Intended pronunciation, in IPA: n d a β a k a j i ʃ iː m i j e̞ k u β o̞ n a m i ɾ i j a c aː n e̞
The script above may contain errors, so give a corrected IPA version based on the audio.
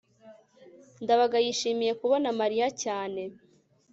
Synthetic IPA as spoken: n d a β a ɡ a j i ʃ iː m i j e̞ k u β o̞ n a m a ɾ i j a c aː n e̞